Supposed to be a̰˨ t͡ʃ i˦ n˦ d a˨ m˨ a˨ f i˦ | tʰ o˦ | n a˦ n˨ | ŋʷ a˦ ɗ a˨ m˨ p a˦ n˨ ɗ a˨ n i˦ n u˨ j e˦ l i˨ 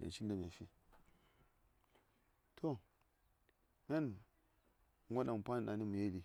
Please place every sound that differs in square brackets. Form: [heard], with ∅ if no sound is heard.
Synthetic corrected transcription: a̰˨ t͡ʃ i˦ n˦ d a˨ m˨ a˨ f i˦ | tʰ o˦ | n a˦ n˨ | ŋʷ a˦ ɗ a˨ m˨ p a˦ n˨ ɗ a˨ n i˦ [m] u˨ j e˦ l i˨